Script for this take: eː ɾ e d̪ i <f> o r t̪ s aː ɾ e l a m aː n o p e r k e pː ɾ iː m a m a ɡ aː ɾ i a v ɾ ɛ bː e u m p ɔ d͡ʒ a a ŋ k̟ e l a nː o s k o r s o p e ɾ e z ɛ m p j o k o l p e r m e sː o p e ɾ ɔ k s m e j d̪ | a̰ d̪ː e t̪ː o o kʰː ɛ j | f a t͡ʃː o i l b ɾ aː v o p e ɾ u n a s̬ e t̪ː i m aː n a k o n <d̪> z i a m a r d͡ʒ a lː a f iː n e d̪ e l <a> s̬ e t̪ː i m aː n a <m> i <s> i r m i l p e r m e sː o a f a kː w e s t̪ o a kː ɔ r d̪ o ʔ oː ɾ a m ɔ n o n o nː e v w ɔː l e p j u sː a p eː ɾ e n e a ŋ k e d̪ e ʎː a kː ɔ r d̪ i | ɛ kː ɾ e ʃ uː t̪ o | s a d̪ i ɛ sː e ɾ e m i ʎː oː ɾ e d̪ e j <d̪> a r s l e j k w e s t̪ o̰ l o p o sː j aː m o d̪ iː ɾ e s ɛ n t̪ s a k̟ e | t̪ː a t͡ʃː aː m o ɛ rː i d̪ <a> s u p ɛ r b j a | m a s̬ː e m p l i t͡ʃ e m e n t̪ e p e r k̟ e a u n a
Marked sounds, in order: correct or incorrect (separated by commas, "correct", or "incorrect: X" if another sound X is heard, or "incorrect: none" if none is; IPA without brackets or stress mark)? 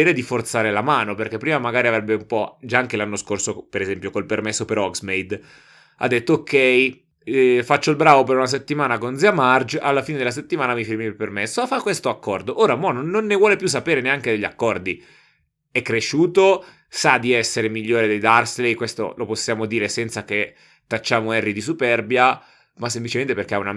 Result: correct, correct, correct, correct, incorrect: f, correct, incorrect: i